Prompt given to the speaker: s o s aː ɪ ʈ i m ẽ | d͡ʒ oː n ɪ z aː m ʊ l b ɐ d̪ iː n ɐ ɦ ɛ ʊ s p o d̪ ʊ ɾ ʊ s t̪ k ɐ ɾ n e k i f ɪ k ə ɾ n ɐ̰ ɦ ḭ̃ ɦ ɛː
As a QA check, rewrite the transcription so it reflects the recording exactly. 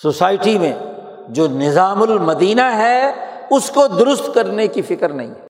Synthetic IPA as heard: s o s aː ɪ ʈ i m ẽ | d͡ʒ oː n ɪ z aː m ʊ l m ɐ d̪ iː n a ɦ ɛ ʊ s k o d̪ ʊ ɾ ʊ s t̪ k ɐ ɾ n e k i f ɪ k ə ɾ n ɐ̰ ɦ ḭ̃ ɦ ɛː